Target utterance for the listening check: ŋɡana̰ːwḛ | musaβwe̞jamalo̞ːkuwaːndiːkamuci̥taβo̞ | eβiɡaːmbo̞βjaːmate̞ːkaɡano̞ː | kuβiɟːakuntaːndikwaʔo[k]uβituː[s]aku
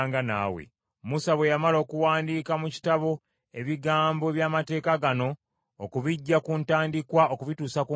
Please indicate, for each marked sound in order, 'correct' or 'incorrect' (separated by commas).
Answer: correct, correct